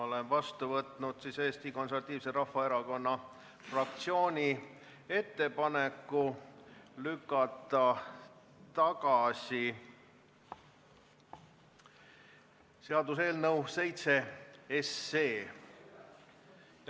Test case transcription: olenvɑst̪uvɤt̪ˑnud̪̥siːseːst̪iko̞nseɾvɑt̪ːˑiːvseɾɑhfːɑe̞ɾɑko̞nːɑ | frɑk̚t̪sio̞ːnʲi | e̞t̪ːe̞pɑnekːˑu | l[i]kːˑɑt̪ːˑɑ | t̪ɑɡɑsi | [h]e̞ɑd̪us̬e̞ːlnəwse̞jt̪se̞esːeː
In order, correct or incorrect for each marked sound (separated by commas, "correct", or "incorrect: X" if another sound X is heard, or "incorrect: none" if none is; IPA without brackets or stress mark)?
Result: incorrect: y, incorrect: s